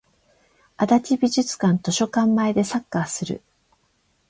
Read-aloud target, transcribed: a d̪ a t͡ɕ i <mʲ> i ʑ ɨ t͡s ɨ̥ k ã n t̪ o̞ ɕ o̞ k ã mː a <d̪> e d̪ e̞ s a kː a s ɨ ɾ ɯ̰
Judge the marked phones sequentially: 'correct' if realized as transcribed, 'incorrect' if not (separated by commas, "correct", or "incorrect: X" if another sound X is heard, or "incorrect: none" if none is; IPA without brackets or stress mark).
incorrect: bʲ, incorrect: none